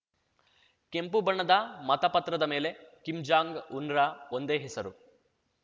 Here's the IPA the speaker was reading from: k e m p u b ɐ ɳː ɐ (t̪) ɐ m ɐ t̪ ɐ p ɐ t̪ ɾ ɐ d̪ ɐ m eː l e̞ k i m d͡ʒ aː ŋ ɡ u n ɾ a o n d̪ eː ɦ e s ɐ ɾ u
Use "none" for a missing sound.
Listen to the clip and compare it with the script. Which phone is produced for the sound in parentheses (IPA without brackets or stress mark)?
d̪